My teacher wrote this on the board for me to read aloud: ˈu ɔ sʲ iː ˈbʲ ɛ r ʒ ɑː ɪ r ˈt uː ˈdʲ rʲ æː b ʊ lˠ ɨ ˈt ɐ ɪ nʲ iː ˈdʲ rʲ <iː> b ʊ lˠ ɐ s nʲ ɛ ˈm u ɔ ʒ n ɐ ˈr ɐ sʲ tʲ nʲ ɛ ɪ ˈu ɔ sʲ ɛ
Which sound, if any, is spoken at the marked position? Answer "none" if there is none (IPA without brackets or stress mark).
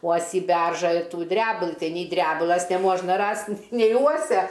æː